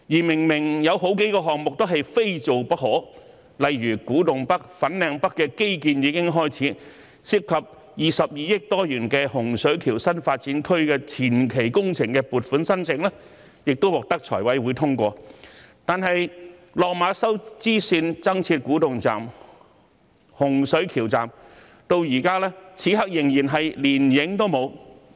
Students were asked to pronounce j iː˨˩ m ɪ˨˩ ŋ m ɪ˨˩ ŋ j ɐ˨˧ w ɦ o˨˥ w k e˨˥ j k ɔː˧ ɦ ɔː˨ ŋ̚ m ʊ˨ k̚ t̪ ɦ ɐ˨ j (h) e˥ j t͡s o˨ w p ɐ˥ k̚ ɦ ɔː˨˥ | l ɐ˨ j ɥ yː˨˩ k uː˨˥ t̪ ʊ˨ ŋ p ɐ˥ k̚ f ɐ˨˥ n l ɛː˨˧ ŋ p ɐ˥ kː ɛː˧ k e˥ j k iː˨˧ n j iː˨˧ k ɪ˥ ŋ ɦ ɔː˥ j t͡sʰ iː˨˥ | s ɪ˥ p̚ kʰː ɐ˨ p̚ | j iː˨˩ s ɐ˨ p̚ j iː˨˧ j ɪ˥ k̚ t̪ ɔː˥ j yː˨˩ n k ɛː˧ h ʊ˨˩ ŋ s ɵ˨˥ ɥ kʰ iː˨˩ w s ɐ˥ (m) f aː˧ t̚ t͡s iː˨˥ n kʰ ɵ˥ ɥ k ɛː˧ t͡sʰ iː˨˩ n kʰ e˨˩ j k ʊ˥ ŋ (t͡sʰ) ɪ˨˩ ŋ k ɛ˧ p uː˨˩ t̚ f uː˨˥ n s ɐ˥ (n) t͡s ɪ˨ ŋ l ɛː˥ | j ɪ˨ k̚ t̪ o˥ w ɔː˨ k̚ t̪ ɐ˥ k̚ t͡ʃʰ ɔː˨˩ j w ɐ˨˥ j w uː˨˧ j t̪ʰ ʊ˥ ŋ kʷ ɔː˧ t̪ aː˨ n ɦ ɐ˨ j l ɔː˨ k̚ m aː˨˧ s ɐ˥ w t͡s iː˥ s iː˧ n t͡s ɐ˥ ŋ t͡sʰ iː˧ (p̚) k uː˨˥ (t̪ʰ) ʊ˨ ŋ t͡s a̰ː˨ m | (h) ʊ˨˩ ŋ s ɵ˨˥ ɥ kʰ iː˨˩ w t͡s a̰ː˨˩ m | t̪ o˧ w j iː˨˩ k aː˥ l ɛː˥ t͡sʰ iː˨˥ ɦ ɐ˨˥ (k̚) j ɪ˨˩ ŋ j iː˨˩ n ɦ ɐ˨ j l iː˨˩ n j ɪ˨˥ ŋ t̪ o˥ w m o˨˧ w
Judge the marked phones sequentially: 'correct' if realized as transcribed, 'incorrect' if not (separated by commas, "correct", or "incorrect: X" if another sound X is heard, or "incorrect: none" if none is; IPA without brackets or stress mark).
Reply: incorrect: f, incorrect: n, correct, correct, incorrect: t̚, incorrect: t̪, correct, correct